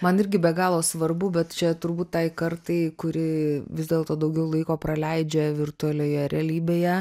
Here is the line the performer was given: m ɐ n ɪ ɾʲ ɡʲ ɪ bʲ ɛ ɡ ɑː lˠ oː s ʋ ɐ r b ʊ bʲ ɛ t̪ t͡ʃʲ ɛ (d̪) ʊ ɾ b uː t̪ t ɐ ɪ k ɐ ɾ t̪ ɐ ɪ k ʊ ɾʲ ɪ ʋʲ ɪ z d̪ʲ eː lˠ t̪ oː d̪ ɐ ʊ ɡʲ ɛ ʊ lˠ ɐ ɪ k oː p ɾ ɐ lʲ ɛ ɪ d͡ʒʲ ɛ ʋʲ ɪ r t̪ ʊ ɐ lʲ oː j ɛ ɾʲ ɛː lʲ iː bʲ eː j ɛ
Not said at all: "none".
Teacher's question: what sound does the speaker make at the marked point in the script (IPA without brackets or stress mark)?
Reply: t̪